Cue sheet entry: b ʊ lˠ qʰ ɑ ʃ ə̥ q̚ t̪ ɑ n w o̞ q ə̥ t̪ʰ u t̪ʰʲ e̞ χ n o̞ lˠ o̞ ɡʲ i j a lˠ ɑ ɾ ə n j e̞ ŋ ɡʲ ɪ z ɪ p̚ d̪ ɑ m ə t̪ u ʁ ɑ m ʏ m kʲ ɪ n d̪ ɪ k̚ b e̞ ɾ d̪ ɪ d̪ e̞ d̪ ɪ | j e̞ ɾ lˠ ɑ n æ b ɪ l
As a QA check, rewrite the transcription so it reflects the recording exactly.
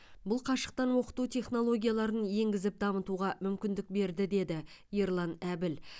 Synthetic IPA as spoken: b ʊ lˠ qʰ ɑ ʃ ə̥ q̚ t̪ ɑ n w o̞ q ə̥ t̪ u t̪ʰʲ e̞ χ n o̞ lˠ o̞ ɡʲ i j a lˠ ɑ ɾ ə n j e̞ ŋ ɡʲ ɪ z ɪ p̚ d̪ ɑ m ə t̪ u ʁ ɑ m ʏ m kʲ ɪ n d̪ ɪ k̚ b e̞ ɾ d̪ ɪ d̪ e̞ d̪ ɪ | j e̞ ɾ lˠ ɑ n æ b ɪ l